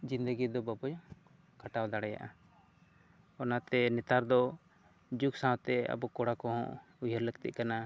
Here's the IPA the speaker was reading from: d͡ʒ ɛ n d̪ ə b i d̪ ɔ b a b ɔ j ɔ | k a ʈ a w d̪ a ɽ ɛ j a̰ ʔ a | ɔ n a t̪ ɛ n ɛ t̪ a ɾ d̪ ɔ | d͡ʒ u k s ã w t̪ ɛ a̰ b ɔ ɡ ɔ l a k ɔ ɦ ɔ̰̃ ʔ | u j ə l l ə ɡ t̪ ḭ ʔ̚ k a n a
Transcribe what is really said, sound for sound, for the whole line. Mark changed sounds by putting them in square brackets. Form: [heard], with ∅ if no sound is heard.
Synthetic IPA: d͡ʒ [i] n d̪ ə [ɡ] i d̪ ɔ b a b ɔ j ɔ | k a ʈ a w d̪ a ɽ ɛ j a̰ ʔ a | ɔ n a t̪ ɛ n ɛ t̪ a ɾ d̪ ɔ | d͡ʒ u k s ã w t̪ ɛ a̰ b ɔ [k] ɔ [ɽ] a k ɔ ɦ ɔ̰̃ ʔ | u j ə [ɾ] l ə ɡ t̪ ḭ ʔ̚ k a n a